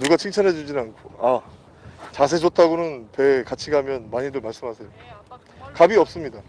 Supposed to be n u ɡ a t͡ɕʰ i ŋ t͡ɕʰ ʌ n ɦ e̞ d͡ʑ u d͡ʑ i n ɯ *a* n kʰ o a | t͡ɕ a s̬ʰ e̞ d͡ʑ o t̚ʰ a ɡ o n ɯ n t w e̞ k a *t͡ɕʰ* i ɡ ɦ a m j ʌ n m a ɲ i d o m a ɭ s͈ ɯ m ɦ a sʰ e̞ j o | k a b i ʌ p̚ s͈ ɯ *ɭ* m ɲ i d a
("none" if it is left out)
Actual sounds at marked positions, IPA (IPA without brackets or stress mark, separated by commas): a, t͡ɕʰ, none